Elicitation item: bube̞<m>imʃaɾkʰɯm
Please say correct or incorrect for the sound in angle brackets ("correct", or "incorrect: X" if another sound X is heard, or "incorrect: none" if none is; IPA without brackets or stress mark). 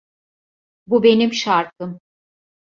incorrect: n